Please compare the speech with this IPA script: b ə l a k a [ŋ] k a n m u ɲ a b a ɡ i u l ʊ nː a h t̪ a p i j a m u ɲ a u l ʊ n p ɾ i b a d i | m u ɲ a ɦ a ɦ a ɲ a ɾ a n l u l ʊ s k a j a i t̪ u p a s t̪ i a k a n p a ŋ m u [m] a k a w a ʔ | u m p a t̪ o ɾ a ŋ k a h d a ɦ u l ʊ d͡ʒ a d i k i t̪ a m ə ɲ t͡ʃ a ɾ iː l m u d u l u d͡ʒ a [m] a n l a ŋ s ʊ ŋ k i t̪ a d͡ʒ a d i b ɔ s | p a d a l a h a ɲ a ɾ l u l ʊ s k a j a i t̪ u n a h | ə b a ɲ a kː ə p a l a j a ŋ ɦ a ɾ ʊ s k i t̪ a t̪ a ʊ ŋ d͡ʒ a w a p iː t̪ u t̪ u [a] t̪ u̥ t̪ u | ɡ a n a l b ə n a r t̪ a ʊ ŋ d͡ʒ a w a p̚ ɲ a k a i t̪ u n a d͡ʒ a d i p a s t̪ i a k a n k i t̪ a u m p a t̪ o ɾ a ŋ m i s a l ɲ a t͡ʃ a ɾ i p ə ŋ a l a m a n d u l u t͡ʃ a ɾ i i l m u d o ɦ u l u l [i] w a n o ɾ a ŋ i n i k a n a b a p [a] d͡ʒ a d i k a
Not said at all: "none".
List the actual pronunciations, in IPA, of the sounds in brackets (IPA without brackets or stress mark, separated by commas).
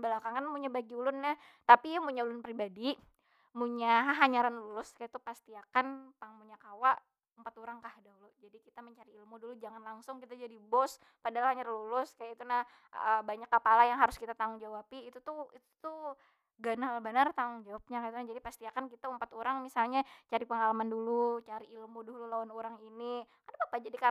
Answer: ŋ, ɲ, ŋ, i, a, a